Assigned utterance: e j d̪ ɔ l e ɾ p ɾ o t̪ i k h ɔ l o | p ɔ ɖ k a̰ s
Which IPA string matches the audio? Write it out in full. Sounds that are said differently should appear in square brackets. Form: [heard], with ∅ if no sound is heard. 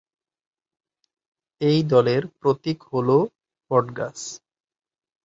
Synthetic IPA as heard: e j d̪ ɔ l e ɾ p ɾ o t̪ i k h [o] l o | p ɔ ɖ [ɡ] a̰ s